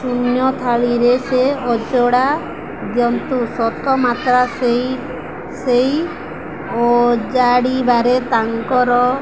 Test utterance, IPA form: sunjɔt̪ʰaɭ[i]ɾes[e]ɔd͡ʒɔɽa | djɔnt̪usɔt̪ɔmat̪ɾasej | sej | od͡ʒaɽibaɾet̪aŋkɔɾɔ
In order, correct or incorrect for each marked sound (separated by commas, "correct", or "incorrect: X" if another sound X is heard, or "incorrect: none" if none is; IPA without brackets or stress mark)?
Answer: correct, correct